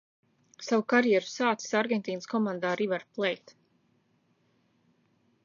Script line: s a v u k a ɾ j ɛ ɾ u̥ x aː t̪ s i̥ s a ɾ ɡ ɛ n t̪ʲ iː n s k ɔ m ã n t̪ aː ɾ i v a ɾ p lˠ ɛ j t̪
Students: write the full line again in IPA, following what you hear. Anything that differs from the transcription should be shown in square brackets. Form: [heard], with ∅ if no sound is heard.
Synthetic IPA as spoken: s a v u k a ɾ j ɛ ɾ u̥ [s] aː t̪ s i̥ s a ɾ ɡ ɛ n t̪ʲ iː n s k ɔ m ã n [d̪] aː ɾ i v a ɾ p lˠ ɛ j t̪